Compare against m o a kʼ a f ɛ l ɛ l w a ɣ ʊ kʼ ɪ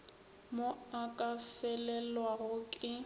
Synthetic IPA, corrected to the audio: m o a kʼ a f ɛ l ɛ l w a ɣ ʊ kʼ ɪ